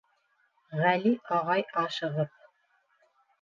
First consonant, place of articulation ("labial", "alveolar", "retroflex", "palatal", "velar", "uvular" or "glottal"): uvular